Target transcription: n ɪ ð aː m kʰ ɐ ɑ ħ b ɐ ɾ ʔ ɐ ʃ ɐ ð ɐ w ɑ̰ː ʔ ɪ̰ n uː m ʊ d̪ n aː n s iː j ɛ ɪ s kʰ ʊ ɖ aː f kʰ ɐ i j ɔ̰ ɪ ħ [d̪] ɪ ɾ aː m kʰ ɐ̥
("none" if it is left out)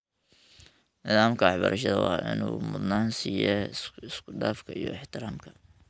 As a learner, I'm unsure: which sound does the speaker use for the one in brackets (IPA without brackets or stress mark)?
t̪